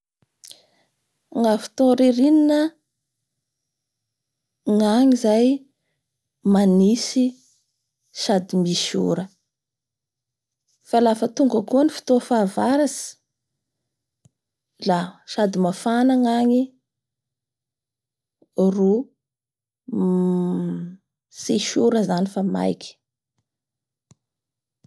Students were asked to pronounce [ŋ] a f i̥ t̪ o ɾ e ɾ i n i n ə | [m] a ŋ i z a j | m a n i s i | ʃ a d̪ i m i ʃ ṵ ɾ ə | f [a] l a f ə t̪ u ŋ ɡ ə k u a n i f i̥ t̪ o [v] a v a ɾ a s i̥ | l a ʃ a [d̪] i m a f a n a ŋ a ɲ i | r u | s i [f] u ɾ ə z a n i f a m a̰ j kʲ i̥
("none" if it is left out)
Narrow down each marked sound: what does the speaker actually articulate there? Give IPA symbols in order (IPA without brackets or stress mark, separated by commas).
ŋ, ŋ, a, f, d̪, ʃ